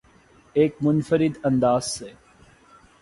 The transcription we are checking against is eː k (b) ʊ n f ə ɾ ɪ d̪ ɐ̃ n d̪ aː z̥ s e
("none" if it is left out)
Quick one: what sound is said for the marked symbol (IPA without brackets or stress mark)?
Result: m